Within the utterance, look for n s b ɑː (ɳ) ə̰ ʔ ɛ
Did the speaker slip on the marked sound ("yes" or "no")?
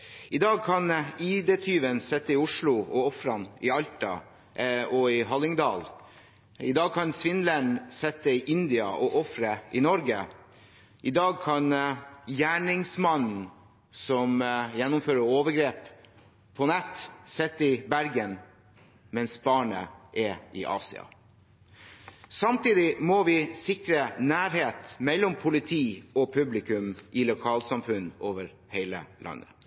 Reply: no